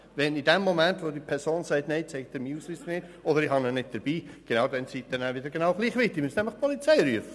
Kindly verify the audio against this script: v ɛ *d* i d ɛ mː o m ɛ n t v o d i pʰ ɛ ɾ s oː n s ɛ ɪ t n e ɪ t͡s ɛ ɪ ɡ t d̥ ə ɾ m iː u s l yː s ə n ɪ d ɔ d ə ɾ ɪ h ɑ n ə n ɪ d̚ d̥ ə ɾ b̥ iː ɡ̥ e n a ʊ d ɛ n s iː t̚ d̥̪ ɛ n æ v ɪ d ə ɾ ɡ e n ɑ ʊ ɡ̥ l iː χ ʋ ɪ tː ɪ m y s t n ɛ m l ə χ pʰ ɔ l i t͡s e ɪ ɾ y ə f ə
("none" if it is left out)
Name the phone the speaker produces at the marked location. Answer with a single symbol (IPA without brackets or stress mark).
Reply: n